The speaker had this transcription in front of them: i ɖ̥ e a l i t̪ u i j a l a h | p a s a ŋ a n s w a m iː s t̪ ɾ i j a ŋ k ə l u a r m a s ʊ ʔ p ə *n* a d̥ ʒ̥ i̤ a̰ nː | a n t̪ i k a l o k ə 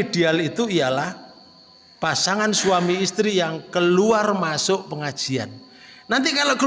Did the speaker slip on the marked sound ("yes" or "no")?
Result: yes